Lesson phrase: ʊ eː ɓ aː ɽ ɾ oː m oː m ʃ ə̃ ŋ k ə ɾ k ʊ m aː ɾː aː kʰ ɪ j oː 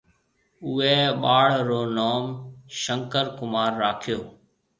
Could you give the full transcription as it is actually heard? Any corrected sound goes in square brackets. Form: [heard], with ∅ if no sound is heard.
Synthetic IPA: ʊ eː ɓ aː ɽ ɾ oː [n] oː m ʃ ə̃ ŋ k ə ɾ k ʊ m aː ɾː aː kʰ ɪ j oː